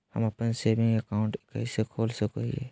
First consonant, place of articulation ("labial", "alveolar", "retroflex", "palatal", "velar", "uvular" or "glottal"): glottal